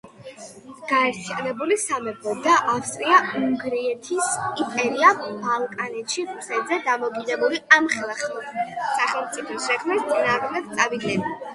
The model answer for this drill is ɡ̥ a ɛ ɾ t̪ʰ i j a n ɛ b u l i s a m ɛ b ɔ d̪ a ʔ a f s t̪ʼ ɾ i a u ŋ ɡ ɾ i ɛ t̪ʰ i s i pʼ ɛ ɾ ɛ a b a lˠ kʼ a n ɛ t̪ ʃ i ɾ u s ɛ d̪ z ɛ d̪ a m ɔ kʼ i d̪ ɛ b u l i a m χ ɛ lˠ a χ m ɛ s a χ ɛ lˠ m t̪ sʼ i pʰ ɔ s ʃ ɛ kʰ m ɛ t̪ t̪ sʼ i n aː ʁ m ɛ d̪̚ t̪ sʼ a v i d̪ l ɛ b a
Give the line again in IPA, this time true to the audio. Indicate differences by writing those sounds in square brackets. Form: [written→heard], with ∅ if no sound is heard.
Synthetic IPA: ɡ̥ a ɛ ɾ t̪ʰ i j a n ɛ b u l i s a m ɛ b ɔ d̪ a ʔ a f s t̪ʼ ɾ i a u ŋ ɡ ɾ i ɛ t̪ʰ i s i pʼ ɛ ɾ [ɛ→i] a b a lˠ kʼ a n ɛ t̪ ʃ i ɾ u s ɛ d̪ z ɛ d̪ a m ɔ kʼ i d̪ ɛ b u l i a m χ ɛ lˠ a χ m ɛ s a χ ɛ lˠ m t̪ sʼ i pʰ ɔ s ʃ ɛ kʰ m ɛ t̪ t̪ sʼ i n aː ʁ m ɛ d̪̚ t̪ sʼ a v i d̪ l ɛ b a